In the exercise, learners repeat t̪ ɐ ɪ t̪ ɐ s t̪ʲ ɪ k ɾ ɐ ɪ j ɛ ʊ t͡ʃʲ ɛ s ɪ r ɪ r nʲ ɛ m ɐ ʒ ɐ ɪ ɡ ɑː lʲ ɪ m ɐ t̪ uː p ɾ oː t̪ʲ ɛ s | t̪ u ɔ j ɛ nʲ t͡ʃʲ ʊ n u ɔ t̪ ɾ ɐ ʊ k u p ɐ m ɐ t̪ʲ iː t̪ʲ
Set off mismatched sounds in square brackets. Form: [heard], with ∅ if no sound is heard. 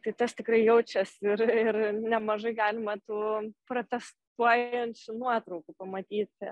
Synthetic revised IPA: t̪ ɐ ɪ t̪ ɐ s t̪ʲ ɪ k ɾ ɐ ɪ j ɛ ʊ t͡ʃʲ ɛ s ɪ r ɪ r nʲ ɛ m ɐ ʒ ɐ ɪ ɡ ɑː lʲ ɪ m ɐ t̪ uː p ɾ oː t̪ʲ ɛ s | t̪ u ɔ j ɛ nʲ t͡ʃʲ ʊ n u ɔ t̪ ɾ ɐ ʊ k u p ɐ m ɐ t̪ʲ iː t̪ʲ